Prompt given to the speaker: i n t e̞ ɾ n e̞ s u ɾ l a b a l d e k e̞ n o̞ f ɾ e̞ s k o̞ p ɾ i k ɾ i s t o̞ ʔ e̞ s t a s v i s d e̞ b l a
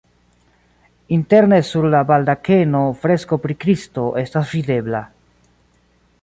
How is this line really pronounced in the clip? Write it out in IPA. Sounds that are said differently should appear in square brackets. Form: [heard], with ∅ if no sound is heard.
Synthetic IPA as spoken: i n t e̞ ɾ n e̞ s u ɾ l a b a l d [a] k e̞ n o̞ f ɾ e̞ s k o̞ p ɾ i k ɾ i s t o̞ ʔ e̞ s t a s v i [∅] d e̞ b l a